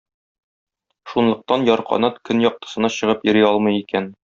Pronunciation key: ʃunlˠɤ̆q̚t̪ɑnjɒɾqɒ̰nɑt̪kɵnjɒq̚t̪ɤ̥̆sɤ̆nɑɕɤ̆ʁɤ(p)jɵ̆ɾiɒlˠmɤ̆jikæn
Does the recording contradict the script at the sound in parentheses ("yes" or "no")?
no